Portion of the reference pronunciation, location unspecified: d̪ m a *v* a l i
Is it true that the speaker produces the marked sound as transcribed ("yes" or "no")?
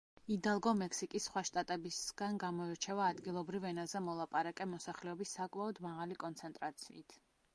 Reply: no